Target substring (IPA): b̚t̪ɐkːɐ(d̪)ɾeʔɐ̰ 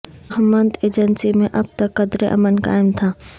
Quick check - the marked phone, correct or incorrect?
correct